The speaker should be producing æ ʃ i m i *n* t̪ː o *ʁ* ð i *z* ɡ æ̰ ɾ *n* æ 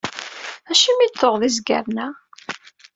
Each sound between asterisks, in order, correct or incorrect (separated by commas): incorrect, correct, correct, correct